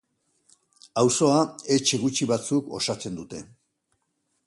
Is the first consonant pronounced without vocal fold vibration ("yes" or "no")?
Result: no